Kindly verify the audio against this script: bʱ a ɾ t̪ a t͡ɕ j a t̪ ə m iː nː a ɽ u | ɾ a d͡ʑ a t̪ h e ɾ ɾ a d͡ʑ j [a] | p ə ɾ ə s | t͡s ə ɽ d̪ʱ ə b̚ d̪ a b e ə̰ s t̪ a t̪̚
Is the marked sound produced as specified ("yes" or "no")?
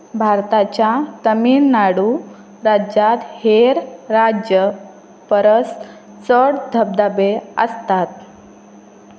no